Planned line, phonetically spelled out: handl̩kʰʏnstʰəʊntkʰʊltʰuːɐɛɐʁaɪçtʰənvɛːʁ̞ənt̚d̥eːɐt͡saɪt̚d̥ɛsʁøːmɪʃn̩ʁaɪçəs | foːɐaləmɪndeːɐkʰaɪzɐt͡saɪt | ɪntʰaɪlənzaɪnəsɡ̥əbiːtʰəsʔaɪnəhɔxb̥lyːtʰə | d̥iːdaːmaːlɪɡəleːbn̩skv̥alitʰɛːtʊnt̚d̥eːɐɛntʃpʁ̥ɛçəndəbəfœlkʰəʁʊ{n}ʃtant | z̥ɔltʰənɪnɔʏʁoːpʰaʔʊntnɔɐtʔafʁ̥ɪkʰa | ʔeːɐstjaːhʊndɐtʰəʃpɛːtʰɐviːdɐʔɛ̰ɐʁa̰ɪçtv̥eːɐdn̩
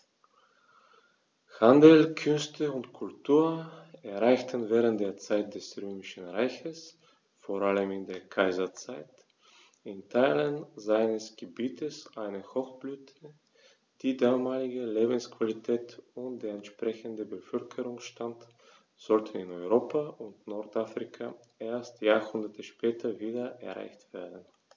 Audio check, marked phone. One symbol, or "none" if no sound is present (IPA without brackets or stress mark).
ŋ